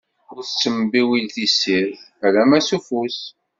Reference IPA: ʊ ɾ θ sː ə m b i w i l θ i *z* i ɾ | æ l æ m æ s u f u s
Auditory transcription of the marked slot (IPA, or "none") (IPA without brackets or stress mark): s